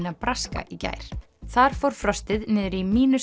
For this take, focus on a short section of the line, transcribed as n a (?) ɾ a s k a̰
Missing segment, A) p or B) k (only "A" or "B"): A